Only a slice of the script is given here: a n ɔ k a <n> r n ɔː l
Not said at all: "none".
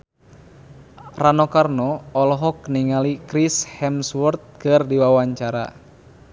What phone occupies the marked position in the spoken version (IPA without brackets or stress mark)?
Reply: none